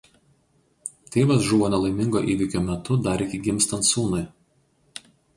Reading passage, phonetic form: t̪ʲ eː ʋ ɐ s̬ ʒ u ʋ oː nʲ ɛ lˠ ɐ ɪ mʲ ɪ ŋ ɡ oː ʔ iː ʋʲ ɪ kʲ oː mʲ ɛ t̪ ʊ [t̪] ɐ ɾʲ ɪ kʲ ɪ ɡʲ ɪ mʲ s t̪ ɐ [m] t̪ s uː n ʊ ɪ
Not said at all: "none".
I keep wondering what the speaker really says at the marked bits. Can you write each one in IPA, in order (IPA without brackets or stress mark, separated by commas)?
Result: d̪, n